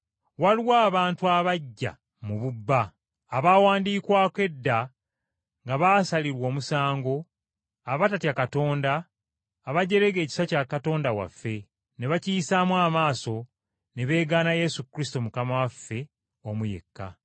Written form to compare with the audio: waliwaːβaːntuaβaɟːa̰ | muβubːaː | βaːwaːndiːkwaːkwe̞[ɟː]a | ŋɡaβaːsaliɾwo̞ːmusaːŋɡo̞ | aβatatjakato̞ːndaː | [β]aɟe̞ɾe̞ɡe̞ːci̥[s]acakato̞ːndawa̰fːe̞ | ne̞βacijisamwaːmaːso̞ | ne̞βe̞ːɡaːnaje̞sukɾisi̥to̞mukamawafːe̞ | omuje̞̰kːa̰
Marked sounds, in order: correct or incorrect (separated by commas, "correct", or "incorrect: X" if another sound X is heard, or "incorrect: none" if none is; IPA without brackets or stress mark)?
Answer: incorrect: dː, correct, correct